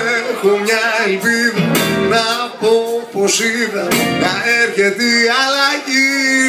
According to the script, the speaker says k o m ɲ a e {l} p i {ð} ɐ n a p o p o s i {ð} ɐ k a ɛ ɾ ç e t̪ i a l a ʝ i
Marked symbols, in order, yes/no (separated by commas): yes, yes, yes